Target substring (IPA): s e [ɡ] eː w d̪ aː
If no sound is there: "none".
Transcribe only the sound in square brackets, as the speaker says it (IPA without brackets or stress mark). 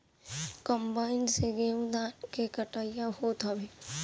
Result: ɡ